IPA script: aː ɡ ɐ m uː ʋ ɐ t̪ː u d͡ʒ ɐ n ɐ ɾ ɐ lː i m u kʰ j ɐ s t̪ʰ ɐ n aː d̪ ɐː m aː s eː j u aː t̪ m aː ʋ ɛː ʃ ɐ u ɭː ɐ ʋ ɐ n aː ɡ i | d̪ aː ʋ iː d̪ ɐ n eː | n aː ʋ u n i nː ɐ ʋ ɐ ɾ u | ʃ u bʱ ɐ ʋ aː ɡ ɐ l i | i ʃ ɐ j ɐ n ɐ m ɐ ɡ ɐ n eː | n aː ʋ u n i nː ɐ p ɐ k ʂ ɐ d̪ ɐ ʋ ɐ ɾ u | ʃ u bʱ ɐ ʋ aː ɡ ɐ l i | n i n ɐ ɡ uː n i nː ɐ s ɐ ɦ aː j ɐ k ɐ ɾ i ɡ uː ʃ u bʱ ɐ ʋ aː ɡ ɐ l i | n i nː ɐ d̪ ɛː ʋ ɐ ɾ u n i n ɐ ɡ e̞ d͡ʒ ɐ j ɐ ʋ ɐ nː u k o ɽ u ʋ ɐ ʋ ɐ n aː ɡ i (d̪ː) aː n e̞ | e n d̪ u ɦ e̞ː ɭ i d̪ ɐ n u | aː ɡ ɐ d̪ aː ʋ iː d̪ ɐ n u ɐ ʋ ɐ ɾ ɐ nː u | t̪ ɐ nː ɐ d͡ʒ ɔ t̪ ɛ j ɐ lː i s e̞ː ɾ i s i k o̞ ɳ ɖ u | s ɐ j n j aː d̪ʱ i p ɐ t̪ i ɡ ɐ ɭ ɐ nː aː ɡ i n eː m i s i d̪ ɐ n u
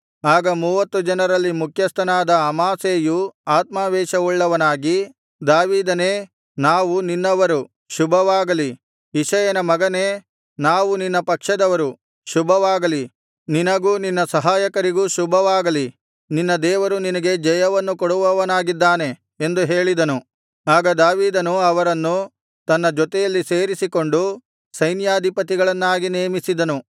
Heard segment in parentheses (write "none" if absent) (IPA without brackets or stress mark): d̪ː